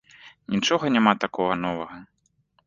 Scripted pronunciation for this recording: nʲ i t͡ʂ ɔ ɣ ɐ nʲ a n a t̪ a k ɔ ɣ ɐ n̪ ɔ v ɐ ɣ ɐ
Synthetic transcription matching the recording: nʲ i t͡ʂ ɔ ɣ ɐ nʲ a m a t̪ a k ɔ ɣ ɐ n̪ ɔ v ɐ ɣ ɐ